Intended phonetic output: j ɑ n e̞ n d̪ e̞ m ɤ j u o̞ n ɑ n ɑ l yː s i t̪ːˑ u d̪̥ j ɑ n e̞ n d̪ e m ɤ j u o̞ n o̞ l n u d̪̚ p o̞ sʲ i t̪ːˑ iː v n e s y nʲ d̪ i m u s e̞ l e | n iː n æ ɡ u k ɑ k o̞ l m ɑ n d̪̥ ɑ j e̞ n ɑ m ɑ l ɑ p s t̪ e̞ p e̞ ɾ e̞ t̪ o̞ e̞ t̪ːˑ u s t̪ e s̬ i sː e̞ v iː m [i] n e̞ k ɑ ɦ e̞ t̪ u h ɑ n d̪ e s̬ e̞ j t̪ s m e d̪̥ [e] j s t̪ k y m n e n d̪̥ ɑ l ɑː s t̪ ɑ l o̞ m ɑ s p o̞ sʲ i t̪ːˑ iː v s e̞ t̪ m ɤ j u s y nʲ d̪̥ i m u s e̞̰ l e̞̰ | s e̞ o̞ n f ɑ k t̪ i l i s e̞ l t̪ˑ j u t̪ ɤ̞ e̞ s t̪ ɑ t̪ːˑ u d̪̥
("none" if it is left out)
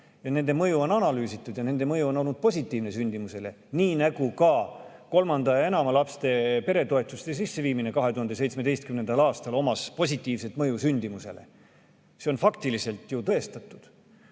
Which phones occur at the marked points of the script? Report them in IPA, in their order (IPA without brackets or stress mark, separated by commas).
i, e